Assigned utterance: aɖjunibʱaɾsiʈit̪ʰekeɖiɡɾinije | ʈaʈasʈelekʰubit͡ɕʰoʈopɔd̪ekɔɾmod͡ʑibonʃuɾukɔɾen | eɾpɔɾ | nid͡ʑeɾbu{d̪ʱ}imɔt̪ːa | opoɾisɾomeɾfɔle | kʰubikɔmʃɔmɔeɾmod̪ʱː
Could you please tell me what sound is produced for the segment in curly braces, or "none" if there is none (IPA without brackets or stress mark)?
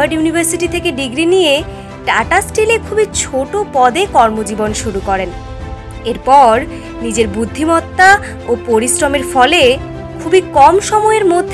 d̪ʱː